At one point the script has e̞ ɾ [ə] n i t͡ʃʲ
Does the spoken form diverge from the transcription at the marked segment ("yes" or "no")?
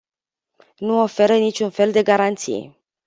no